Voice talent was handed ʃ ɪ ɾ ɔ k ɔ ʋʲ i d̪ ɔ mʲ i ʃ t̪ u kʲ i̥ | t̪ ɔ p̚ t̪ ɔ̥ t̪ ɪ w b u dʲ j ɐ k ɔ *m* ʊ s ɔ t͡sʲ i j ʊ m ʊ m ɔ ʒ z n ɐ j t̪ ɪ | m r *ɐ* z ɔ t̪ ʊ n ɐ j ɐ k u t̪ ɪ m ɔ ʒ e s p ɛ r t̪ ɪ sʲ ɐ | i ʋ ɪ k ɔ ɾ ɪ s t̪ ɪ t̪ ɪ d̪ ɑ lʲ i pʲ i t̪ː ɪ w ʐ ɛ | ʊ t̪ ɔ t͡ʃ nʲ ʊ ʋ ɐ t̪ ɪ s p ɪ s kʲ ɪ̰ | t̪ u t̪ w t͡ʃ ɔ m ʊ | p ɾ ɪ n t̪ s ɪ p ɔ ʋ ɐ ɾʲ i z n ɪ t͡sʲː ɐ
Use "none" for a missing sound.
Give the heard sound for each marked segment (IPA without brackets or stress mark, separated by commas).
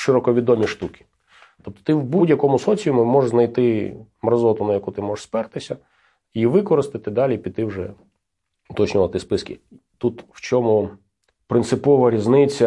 m, ɐ